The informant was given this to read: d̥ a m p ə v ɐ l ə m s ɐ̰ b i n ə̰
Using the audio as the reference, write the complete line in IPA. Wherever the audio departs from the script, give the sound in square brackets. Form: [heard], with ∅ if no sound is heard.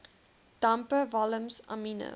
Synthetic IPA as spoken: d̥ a m p ə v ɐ l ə m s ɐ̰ [m] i n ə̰